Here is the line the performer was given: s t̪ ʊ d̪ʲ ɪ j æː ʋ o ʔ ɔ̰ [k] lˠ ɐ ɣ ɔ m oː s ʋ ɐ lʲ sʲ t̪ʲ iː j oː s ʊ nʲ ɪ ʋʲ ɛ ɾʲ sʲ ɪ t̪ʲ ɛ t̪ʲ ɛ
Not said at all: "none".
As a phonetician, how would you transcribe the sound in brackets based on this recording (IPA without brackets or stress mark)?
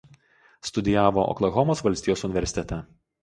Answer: k